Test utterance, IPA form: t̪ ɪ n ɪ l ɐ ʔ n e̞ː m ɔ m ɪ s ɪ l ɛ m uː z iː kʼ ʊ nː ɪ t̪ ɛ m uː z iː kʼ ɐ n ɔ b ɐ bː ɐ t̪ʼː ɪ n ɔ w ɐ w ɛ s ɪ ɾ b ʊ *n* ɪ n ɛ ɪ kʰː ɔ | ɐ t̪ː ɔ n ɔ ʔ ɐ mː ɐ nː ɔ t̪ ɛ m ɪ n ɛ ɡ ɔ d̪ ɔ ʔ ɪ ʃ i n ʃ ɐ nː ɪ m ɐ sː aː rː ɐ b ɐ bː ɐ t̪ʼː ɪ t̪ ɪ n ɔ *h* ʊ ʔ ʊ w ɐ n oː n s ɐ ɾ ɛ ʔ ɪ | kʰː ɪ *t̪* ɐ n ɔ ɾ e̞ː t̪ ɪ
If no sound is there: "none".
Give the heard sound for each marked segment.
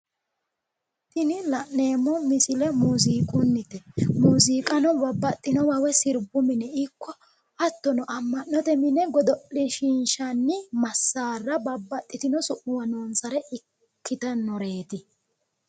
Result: m, s, t̪

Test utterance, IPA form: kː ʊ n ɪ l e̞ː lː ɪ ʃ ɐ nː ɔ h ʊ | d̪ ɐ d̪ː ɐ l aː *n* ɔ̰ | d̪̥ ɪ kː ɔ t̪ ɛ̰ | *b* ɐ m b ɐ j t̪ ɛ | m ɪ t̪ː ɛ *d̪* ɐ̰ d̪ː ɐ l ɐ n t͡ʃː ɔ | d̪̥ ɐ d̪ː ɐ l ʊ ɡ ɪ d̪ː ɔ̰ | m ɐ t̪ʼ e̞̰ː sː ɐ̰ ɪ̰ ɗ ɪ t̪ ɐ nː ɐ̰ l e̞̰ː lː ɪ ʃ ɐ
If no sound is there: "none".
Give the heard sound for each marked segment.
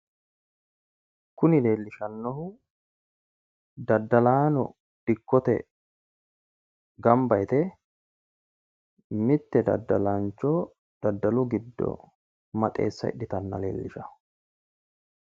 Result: n, ɡ, d̪

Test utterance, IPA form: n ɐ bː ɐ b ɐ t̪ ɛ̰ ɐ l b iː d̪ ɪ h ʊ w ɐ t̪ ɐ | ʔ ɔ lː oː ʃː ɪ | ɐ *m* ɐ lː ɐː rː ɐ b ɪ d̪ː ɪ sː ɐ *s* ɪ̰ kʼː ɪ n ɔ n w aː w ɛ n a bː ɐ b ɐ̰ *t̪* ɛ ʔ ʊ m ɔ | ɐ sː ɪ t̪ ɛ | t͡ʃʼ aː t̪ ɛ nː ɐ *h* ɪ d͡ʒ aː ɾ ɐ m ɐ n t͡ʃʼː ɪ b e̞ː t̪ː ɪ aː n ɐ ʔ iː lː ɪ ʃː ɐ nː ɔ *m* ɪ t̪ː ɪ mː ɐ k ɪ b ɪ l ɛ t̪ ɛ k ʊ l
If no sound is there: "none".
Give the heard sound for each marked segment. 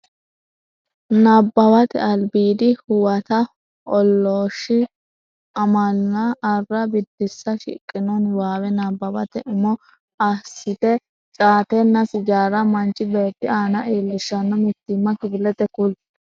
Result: m, ʃ, t̪, s, m

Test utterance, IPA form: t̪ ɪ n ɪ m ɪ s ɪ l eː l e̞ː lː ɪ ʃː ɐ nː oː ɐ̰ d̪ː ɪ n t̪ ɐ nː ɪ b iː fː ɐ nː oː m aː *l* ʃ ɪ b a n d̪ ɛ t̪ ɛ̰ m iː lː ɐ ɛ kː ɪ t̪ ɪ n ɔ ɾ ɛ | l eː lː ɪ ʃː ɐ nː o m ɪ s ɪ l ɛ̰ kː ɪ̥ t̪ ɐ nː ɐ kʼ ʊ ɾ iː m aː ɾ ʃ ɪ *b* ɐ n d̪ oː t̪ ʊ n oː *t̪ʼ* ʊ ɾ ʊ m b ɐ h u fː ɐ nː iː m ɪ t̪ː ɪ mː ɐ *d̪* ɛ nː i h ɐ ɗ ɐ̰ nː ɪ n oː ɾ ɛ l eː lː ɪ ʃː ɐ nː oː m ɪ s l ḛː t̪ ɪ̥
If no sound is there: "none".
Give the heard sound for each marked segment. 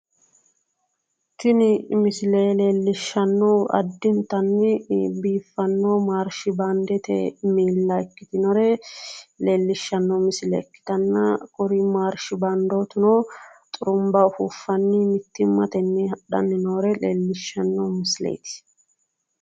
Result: ɾ, b, t̪ʼ, t̪

